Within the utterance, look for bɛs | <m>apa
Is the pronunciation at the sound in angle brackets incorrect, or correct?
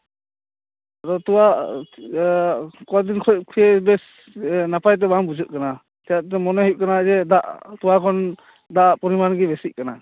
incorrect: n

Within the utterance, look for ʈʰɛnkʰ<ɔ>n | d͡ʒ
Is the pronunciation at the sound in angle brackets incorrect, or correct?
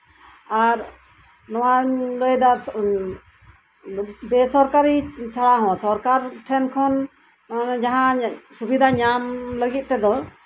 correct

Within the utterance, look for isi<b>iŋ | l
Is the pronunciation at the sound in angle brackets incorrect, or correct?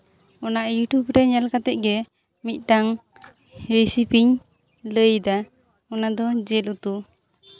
incorrect: p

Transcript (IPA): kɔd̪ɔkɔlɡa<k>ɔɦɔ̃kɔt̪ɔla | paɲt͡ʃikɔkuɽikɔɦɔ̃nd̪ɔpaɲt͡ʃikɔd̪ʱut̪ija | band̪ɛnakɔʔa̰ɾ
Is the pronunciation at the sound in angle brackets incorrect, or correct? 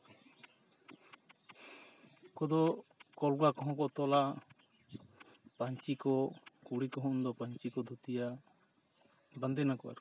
correct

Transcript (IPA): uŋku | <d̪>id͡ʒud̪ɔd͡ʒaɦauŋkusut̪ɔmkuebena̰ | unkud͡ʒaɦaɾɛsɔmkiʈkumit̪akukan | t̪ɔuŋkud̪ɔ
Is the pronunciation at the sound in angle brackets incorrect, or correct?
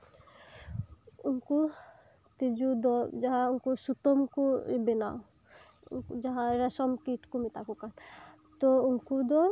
incorrect: t̪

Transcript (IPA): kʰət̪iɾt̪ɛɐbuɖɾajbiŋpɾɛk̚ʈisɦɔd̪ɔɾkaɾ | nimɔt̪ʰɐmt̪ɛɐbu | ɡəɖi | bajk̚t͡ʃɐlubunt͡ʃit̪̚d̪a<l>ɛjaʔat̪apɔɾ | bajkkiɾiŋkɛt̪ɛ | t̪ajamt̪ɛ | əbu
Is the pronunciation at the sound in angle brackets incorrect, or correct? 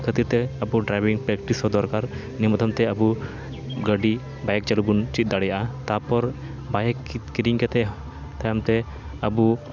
incorrect: ɽ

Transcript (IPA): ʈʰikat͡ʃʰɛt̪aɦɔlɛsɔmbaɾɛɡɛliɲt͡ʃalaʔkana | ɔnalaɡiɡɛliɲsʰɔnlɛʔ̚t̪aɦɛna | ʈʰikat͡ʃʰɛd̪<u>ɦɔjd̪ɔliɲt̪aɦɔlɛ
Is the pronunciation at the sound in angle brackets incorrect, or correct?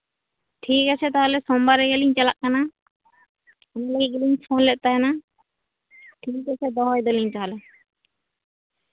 incorrect: ɔ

